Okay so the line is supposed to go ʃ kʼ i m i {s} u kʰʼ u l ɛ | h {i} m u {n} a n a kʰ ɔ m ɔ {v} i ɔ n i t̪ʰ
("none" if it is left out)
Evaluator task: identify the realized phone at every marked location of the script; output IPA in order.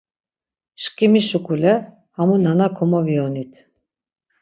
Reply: ʃ, a, n, v

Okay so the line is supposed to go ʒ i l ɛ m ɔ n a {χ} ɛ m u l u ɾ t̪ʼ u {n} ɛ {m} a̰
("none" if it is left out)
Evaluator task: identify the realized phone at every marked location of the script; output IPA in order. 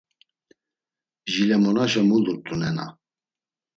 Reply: ʃ, n, n

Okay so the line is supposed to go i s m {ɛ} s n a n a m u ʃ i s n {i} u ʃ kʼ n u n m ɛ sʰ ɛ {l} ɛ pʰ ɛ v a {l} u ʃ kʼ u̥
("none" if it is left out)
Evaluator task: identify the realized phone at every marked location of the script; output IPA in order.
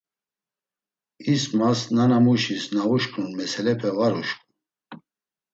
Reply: a, a, l, ɾ

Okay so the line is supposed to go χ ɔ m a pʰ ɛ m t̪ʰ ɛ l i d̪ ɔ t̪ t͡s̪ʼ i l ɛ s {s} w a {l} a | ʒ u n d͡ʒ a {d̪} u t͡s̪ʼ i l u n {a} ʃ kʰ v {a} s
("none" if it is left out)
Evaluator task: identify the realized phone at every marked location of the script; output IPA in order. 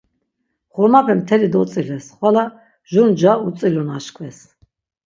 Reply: χ, l, none, a, ɛ

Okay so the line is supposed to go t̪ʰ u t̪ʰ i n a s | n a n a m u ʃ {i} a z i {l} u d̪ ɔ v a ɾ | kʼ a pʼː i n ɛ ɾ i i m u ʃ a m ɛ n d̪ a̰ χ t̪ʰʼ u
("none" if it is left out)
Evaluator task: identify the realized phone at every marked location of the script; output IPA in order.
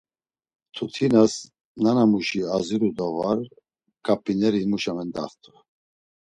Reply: i, ɾ

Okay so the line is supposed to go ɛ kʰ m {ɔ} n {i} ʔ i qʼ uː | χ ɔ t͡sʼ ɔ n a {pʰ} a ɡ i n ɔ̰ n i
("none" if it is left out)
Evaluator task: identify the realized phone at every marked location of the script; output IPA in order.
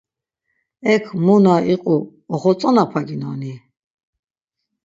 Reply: u, a, pʰ

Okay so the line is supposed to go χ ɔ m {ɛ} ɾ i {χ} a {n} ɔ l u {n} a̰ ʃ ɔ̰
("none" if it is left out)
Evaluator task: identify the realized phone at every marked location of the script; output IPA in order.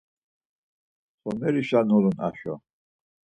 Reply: ɛ, ʃ, n, n

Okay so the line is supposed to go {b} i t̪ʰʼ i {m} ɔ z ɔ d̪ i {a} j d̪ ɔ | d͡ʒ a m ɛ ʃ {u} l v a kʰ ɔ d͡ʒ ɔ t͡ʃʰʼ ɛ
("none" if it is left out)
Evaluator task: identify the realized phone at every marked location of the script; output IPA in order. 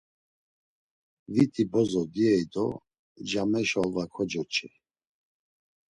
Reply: v, b, ɛ, ɔ

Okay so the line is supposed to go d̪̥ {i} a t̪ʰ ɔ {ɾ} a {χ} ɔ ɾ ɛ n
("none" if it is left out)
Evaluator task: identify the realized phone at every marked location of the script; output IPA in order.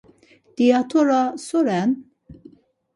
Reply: i, ɾ, s

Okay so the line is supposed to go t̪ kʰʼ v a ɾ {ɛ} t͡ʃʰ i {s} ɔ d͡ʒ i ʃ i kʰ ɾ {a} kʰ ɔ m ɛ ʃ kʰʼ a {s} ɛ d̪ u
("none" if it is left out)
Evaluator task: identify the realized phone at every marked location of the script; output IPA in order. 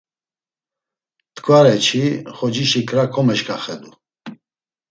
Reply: ɛ, χ, a, χ

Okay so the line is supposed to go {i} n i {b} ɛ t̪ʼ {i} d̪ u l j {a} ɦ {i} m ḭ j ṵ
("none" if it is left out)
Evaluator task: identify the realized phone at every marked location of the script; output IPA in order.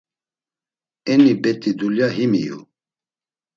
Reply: ɛ, b, i, a, i

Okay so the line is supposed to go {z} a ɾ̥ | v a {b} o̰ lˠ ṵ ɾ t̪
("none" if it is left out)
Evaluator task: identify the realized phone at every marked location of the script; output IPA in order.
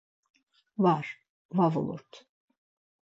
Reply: v, v

